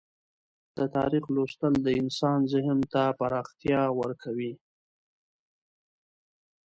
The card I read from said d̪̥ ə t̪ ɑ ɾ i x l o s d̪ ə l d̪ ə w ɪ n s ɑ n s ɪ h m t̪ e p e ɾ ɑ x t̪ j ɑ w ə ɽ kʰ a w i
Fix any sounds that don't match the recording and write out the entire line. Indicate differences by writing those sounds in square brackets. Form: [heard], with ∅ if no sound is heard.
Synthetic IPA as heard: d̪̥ ə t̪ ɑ ɾ i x l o s [t̪] ə l d̪ ə [∅] ɪ n s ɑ n [z] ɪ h m t̪ [a] p [a] ɾ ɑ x t̪ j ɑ w ə [ɾ] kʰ a w i